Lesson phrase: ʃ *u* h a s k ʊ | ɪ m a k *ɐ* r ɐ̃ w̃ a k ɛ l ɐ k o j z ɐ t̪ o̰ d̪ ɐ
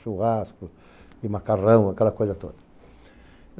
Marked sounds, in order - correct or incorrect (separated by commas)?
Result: correct, incorrect